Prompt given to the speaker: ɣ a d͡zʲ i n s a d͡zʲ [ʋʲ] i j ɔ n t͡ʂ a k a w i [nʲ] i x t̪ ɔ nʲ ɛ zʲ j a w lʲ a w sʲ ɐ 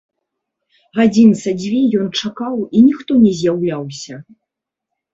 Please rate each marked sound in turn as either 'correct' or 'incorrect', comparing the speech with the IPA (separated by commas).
incorrect, correct